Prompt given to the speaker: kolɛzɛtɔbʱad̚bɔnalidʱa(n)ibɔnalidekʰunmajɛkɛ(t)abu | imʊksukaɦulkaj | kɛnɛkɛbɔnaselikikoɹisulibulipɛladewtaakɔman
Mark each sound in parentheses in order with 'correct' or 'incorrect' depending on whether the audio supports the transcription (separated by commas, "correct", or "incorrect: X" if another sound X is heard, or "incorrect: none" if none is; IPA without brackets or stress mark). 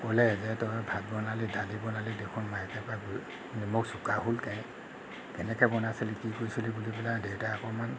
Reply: incorrect: d, incorrect: p